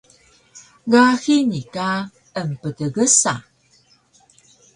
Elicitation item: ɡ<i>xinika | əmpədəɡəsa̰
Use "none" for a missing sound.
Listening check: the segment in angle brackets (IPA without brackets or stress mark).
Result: a